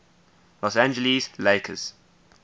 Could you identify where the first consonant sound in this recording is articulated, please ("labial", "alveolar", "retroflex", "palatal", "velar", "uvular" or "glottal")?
alveolar